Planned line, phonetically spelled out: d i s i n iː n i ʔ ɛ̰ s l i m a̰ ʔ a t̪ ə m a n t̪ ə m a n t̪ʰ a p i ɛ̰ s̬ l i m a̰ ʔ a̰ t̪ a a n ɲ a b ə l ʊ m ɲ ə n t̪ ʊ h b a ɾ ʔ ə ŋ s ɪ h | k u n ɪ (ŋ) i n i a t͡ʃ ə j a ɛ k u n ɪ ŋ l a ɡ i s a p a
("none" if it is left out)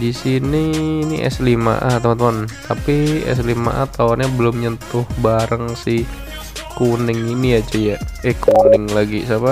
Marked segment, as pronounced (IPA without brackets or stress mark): ŋ